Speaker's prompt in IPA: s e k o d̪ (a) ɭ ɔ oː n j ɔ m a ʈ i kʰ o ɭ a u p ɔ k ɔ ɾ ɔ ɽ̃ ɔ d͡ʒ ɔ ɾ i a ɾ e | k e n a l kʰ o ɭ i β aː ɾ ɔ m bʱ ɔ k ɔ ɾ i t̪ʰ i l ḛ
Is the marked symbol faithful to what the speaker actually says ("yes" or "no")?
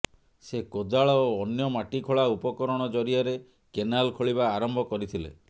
yes